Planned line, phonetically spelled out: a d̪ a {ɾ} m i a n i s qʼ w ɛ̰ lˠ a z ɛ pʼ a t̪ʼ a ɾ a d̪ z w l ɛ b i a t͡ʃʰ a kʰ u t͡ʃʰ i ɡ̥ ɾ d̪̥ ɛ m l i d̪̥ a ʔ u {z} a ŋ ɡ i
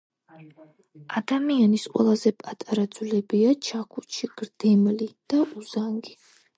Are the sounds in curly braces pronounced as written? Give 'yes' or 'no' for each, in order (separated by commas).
no, yes